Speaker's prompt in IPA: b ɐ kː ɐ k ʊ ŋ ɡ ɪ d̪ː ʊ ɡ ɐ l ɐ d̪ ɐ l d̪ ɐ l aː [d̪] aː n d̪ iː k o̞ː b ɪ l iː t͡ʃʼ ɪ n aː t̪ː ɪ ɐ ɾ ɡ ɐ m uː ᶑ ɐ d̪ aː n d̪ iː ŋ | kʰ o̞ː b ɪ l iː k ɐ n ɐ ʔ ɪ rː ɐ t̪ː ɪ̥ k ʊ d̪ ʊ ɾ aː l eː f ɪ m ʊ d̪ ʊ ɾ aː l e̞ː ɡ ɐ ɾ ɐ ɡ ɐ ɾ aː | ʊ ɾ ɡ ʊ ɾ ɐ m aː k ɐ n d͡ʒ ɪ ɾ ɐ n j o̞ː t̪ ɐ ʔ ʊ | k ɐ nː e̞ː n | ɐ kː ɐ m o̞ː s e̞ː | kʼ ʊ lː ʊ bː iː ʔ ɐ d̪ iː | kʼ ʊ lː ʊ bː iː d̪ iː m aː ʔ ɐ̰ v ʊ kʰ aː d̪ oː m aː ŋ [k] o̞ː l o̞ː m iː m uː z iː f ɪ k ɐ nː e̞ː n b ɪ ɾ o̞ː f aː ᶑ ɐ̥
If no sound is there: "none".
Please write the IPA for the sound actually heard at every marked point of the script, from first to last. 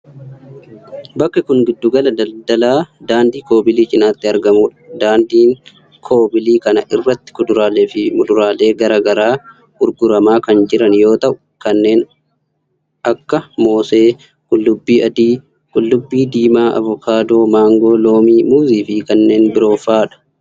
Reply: d̪, ɡ

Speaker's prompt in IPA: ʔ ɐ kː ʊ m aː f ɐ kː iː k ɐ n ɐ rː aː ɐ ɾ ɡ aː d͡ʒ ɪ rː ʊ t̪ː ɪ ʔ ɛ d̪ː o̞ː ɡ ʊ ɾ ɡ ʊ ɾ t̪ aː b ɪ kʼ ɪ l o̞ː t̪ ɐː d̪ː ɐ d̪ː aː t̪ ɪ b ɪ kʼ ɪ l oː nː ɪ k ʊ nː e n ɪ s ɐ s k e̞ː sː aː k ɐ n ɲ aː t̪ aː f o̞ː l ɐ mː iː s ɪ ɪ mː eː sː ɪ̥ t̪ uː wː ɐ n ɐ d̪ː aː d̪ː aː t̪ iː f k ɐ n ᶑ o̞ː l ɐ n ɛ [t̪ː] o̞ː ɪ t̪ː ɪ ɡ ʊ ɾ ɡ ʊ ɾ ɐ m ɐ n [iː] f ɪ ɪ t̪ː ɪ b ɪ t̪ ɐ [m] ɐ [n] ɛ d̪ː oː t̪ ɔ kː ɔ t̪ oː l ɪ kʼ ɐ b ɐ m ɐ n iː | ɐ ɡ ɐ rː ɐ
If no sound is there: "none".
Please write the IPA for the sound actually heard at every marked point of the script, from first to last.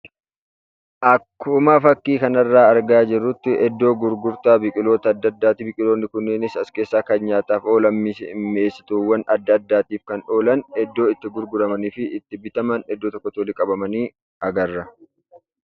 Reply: d̪ː, iː, m, n

